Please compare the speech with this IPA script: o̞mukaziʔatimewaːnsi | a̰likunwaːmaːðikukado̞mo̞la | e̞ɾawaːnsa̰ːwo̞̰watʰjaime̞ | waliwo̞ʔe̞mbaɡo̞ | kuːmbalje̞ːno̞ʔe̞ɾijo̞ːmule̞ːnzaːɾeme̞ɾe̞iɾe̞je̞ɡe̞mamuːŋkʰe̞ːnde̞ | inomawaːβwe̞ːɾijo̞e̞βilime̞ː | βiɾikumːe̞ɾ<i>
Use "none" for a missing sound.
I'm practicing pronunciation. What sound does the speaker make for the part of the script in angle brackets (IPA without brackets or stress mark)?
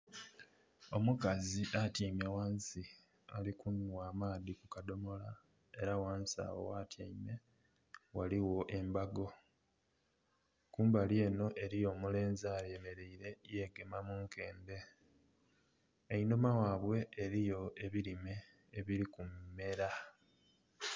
a